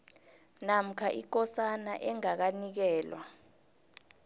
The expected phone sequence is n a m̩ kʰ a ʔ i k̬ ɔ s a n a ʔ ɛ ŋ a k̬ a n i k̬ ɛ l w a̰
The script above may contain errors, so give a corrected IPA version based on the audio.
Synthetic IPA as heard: n a m̩ kʰ a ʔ i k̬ ɔ s a n a ʔ ɛ ŋ a k̬ a n i k̬ ɛː l w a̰